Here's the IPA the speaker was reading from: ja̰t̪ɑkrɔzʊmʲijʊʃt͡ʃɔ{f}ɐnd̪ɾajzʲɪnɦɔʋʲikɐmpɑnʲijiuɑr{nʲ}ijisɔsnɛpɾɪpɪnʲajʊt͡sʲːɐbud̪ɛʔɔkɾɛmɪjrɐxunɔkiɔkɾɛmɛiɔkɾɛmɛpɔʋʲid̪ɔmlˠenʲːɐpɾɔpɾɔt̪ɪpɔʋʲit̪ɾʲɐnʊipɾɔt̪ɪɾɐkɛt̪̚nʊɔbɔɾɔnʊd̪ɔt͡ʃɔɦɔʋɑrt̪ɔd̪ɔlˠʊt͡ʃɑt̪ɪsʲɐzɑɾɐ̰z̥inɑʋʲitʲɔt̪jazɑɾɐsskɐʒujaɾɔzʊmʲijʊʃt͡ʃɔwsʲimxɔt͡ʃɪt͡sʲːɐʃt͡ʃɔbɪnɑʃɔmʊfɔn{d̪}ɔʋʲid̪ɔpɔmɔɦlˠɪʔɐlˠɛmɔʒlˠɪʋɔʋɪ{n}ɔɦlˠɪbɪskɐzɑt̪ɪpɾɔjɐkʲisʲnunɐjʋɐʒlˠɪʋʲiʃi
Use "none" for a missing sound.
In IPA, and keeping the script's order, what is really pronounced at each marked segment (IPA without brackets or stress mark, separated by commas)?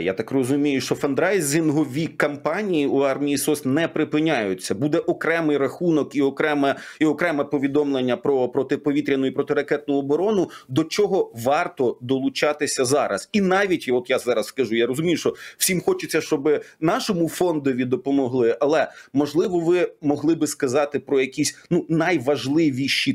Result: f, mʲ, d̪, m